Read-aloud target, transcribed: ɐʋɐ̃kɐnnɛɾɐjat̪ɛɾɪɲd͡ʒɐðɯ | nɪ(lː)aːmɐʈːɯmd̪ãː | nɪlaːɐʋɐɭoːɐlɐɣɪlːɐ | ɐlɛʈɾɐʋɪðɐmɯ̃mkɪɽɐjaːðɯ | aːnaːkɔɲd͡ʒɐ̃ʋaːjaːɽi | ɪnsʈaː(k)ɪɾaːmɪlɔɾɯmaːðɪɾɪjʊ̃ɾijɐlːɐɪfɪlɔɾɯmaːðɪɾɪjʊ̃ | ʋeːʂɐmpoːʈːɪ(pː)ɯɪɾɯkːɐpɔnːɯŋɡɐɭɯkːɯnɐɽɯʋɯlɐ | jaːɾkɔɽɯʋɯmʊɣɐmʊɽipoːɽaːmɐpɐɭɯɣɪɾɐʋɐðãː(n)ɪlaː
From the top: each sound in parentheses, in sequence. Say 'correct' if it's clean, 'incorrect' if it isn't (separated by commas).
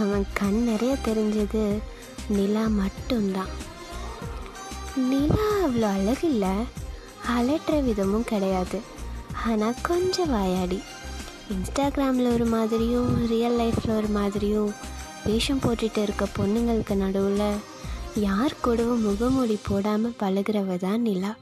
incorrect, incorrect, incorrect, correct